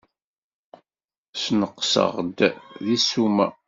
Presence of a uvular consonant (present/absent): present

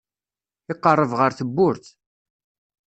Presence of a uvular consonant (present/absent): present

